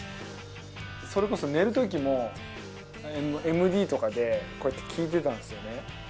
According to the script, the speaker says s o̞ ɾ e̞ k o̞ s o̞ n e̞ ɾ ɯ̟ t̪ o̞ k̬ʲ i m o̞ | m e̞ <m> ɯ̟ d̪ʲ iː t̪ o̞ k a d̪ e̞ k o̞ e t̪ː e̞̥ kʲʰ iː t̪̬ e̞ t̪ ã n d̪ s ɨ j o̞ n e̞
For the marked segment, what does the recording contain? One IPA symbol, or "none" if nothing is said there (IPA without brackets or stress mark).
m